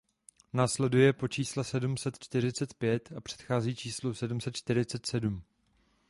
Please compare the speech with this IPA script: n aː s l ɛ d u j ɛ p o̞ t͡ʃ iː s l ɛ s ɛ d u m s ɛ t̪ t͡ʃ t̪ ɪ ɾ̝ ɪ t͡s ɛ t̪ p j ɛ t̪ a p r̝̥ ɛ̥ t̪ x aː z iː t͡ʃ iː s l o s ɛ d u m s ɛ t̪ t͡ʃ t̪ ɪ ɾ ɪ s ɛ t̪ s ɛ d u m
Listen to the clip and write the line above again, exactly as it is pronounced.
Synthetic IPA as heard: n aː s l ɛ d u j ɛ p o̞ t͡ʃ iː s l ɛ s ɛ d u m s ɛ t̪ t͡ʃ t̪ ɪ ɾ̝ ɪ t͡s ɛ t̪ p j ɛ t̪ a p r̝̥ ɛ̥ t̪ x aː z iː t͡ʃ iː s l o s ɛ d u m s ɛ t̪ t͡ʃ t̪ ɪ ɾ ɪ t͡s ɛ t̪ s ɛ d u m